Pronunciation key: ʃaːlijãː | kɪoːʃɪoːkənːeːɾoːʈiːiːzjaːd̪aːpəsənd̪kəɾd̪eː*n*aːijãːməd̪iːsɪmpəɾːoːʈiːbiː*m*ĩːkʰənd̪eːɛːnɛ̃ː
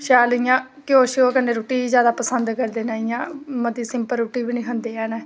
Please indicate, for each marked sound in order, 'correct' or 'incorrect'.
correct, incorrect: n

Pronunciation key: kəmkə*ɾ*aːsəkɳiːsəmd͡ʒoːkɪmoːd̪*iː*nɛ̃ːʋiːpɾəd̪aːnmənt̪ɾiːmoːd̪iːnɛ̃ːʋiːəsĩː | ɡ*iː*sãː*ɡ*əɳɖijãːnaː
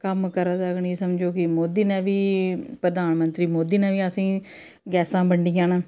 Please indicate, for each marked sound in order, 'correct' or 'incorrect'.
correct, correct, incorrect: ɛː, incorrect: b

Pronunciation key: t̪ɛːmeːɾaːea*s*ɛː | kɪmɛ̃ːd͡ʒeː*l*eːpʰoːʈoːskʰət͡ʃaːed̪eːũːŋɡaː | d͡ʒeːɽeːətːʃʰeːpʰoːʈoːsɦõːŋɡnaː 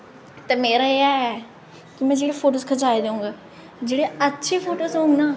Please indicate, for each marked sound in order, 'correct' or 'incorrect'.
incorrect: none, incorrect: ɽ

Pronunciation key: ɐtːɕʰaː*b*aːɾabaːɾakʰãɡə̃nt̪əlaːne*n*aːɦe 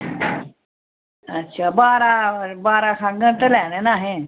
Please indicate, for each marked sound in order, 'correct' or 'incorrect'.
correct, correct

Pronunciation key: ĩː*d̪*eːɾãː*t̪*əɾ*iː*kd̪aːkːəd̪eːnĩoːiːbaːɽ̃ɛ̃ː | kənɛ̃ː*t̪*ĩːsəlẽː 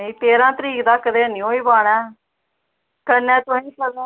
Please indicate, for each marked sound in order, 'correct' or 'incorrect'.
incorrect: t̪, correct, correct, correct

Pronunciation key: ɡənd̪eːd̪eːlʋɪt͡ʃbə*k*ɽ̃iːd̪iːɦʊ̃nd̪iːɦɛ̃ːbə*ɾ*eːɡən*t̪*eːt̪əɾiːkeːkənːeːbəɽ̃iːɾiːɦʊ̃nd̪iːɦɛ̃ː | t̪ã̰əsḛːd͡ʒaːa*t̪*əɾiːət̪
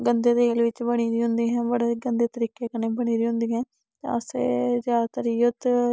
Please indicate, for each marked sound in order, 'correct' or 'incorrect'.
incorrect: none, incorrect: ɽ, incorrect: d̪, correct

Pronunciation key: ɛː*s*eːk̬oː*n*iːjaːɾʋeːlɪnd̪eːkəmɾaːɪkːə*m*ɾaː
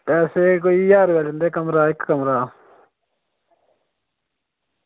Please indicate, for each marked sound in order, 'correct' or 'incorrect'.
correct, incorrect: none, correct

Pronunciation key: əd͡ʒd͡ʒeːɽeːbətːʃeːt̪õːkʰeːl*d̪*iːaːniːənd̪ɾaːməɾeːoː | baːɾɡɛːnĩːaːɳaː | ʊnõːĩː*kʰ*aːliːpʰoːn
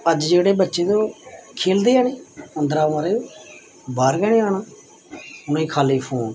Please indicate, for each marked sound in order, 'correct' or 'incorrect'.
correct, correct

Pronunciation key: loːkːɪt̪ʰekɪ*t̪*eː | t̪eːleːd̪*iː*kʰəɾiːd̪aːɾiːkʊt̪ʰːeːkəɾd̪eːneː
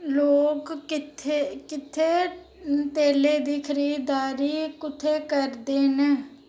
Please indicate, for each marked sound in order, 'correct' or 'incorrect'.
incorrect: t̪ʰ, correct

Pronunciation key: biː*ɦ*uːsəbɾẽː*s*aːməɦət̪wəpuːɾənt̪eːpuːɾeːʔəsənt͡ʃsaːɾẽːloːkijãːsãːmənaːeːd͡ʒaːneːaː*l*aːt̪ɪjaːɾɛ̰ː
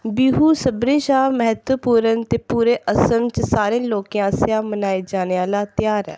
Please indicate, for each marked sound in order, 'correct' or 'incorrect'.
correct, incorrect: ʃ, correct

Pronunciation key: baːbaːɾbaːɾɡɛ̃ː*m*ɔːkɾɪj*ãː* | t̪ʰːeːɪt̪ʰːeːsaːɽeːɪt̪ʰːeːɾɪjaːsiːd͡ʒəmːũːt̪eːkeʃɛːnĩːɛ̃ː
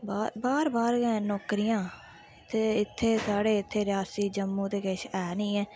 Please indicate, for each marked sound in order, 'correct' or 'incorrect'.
incorrect: n, correct

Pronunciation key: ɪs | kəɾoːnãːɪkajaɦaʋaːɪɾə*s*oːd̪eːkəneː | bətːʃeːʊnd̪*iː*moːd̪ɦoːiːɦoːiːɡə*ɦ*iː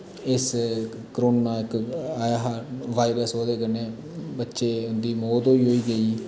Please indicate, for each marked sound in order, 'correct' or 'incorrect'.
correct, correct, incorrect: none

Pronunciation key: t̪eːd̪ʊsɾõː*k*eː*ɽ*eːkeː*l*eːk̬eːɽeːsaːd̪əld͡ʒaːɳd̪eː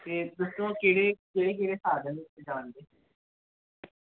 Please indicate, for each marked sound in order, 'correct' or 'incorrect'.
correct, correct, incorrect: ɽ

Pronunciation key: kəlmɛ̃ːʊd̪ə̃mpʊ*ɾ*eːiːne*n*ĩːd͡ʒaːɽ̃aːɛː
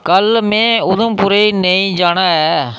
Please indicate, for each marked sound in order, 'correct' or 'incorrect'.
correct, incorrect: none

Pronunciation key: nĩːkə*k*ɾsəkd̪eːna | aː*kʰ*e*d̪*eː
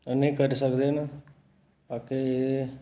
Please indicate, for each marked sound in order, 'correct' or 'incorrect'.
incorrect: none, incorrect: k, incorrect: none

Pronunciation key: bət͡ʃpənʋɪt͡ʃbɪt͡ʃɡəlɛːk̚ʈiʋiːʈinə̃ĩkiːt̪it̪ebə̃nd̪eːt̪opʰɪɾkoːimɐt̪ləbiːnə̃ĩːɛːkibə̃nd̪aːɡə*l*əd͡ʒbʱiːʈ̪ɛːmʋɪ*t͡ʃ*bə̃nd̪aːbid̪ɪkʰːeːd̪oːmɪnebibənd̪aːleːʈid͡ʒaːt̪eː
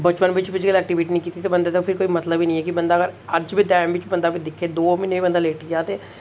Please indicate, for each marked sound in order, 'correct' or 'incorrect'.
incorrect: ɾ, correct

